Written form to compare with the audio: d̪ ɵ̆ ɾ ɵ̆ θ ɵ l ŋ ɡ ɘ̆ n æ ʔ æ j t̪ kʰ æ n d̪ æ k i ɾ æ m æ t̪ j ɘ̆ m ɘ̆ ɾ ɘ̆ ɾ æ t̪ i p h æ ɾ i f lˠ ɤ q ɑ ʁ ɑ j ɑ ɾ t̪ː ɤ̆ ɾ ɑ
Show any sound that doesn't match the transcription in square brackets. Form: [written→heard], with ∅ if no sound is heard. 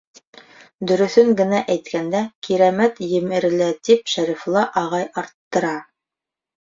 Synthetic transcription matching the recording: d̪ ɵ̆ ɾ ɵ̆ θ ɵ [l→∅] ŋ ɡ ɘ̆ n æ ʔ æ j t̪ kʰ æ n d̪ æ k i ɾ æ m æ t̪ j ɘ̆ m ɘ̆ ɾ ɘ̆ [ɾ→l] æ t̪ i p [h→ʃ] æ ɾ i f lˠ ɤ [q→ʔ] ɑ ʁ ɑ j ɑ ɾ t̪ː ɤ̆ ɾ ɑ